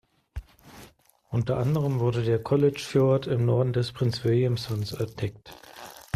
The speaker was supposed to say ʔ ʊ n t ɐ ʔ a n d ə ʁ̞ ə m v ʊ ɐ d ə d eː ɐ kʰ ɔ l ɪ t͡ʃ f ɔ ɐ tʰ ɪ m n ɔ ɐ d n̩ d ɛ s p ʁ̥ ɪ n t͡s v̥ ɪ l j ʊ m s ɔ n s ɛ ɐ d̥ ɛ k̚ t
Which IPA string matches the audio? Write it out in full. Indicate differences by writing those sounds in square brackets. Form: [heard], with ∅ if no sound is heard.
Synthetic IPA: ʔ ʊ n t ɐ ʔ a n d ə ʁ̞ ə m v ʊ ɐ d ə d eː ɐ kʰ ɔ l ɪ t͡ʃ f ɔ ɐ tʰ ɪ m n ɔ ɐ d n̩ d ɛ s p ʁ̥ ɪ n t͡s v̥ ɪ l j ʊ m s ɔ n s ɛ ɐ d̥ ɛ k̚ t